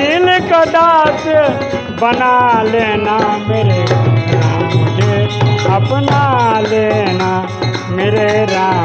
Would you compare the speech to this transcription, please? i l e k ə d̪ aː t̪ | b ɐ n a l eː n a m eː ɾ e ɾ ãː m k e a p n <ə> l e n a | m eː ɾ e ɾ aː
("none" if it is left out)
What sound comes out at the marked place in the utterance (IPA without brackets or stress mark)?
a